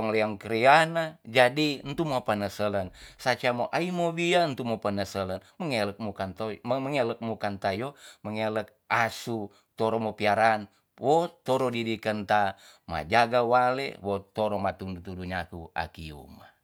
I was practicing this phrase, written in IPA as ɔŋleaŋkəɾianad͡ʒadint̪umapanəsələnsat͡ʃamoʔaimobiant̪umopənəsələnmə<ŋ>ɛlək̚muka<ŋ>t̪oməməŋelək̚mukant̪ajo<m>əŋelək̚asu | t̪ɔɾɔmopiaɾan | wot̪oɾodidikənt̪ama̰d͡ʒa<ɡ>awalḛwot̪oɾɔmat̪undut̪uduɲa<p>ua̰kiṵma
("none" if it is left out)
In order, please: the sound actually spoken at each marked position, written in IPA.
ŋ, n, m, ɡ, k

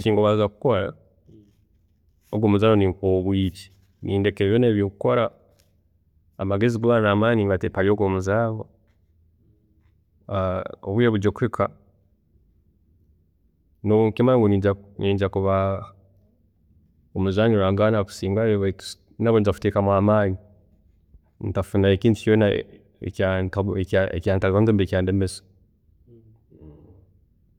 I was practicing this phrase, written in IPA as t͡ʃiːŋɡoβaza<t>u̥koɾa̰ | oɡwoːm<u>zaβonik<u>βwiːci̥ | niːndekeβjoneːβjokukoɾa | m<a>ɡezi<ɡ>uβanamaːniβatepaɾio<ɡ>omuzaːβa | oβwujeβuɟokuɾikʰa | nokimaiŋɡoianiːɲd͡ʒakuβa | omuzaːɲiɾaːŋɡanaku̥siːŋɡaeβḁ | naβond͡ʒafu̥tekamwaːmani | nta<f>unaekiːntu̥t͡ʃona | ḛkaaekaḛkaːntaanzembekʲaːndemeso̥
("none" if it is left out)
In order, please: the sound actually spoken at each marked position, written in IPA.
k, u, o, a, ɡ, ɡ, f

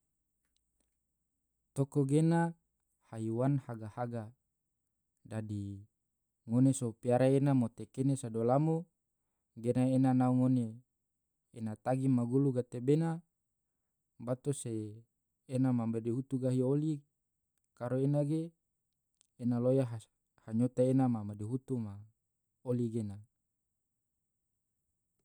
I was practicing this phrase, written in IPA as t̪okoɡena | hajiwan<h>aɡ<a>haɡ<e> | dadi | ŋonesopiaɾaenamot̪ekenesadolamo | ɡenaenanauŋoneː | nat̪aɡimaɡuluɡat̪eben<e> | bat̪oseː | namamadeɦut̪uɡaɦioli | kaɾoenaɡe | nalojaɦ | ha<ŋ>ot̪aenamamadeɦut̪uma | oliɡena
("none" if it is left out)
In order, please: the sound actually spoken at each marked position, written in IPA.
h, a, a, a, ɲ

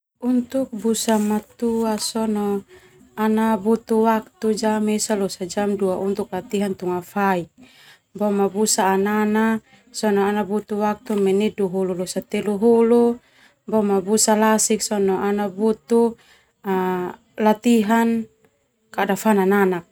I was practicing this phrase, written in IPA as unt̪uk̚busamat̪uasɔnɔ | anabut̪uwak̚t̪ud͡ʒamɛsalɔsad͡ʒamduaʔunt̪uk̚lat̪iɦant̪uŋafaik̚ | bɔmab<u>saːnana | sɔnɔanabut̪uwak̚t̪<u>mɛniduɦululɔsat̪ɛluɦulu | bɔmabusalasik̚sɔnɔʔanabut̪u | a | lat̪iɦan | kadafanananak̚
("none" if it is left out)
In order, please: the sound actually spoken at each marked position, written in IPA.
u, u

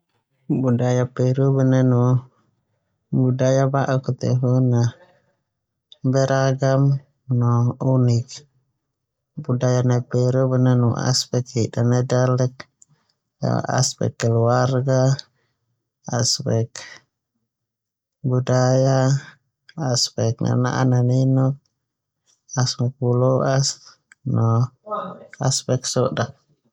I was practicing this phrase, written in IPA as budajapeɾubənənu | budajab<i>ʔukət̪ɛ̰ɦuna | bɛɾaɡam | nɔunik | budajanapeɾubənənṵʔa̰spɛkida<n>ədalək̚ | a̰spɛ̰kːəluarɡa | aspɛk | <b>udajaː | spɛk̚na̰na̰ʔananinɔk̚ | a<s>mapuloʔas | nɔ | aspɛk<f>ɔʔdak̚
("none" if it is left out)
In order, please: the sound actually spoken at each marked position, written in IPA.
a, n, b, s, s

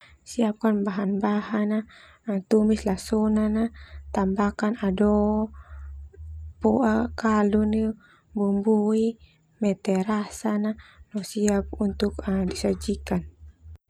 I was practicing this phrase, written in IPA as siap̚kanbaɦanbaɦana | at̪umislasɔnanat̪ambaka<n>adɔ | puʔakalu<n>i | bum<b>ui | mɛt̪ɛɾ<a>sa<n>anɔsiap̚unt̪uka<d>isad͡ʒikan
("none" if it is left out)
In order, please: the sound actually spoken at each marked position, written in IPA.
n, n, b, a, n, d

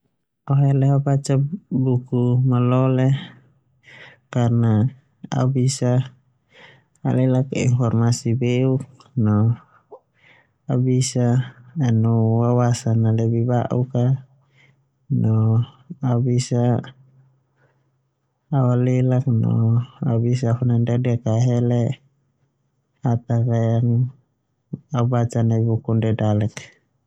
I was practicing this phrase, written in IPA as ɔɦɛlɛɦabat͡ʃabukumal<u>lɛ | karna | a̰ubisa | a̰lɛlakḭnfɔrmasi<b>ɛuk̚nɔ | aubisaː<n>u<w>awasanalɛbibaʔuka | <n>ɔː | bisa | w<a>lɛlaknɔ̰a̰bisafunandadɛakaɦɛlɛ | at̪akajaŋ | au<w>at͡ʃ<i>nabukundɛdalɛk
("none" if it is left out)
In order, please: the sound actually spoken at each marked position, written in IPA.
ɔ, b, n, w, n, a, b, a

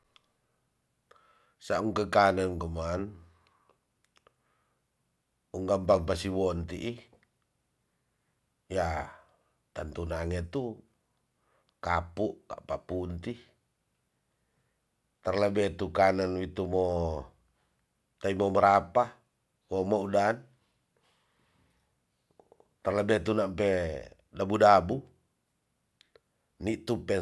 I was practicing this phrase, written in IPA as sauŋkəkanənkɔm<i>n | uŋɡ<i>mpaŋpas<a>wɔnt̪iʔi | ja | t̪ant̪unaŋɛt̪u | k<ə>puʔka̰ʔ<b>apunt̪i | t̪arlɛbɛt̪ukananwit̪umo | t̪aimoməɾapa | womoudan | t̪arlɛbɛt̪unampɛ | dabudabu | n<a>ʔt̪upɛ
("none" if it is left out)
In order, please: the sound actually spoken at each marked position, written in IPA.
a, a, i, a, p, i

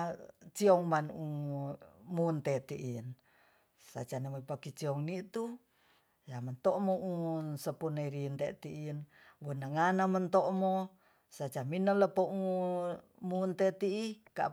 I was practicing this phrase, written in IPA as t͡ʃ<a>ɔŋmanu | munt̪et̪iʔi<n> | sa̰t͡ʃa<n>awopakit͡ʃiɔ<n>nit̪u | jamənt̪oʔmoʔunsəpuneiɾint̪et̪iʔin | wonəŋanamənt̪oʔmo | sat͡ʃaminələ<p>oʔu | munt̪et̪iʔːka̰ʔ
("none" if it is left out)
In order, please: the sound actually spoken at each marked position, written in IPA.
i, n, n, ŋ, p

